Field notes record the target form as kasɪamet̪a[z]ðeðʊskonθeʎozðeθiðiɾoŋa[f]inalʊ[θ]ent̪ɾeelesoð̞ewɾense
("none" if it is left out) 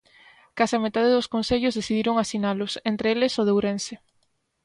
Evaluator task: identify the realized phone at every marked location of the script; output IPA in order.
none, s, s

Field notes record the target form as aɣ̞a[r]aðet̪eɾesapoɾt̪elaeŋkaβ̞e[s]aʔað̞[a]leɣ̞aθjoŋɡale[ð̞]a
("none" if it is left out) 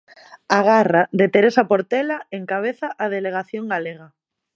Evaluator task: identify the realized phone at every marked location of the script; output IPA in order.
r, θ, e, ɣ̞

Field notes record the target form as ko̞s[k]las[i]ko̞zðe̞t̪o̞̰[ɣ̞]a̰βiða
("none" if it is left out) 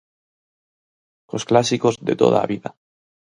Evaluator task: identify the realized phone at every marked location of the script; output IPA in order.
k, i, ð̞

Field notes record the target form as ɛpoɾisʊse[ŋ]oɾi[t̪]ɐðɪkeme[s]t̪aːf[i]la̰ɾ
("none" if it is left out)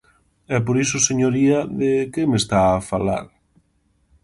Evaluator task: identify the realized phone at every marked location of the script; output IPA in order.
ɲ, none, s, a

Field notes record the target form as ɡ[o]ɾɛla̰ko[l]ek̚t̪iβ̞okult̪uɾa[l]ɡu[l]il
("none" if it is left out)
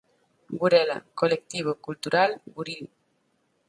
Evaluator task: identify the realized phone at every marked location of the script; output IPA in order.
u, l, l, ɾ

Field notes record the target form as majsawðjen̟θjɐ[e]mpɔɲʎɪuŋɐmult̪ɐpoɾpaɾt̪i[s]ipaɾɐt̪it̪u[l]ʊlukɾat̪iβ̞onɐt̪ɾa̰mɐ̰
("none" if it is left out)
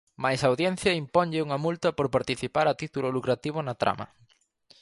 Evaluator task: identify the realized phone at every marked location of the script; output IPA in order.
i, θ, l

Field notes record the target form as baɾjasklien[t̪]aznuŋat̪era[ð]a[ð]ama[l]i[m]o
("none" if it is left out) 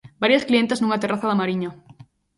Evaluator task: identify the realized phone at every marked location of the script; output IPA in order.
t̪, θ, ð, ɾ, ɲ

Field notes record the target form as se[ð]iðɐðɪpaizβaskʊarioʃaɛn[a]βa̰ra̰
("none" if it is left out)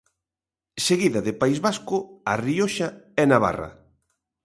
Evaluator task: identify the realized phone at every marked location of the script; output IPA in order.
ɣ, a

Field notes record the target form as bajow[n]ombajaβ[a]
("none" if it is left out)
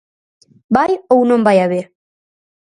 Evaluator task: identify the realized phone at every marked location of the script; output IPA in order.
n, e

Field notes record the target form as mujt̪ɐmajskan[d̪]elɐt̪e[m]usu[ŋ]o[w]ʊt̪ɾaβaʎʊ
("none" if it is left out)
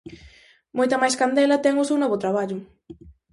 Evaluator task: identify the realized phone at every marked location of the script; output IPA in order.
d̪, ŋ, n, β

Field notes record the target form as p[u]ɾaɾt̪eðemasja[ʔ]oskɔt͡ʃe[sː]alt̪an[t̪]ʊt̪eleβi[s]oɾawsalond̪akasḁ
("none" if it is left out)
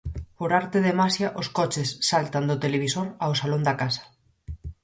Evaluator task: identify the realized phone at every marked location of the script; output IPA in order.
o, ʔ, sː, d̪, s

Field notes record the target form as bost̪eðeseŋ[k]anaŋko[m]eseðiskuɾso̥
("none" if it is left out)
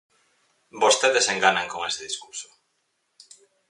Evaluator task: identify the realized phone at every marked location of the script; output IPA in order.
ɡ, ŋ

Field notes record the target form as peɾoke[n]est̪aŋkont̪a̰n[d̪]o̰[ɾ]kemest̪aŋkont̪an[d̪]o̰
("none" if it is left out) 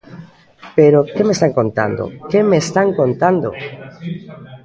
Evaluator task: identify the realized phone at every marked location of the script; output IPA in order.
m, d̪, none, d̪

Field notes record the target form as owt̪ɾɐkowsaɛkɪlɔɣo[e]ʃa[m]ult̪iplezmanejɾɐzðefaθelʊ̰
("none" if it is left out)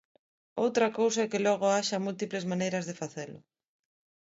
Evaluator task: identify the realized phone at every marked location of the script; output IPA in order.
a, m

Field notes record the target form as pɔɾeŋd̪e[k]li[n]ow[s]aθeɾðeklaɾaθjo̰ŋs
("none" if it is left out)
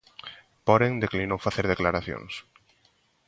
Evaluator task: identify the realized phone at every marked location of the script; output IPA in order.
k, n, f

